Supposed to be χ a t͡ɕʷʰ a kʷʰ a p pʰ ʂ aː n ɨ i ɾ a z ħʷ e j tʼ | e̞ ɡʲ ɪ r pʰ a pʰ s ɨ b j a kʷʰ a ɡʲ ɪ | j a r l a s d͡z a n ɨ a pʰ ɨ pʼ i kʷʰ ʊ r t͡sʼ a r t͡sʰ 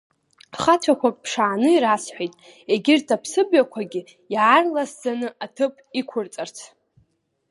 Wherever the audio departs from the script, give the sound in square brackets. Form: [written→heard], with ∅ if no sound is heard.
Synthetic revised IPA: χ a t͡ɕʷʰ a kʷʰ a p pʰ ʂ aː n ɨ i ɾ a [z→s] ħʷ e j tʼ | e̞ ɡʲ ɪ r [pʰ→tʰ] a pʰ s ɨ b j a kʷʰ a ɡʲ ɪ | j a r l a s d͡z a n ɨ a [pʰ→tʰ] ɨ pʼ i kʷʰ ʊ r t͡sʼ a r t͡sʰ